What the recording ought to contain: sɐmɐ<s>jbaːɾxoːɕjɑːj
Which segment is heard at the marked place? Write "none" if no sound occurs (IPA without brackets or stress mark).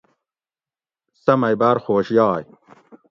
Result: none